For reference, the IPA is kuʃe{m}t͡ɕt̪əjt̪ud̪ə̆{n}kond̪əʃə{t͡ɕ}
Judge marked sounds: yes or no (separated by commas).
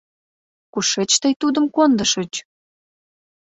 no, no, yes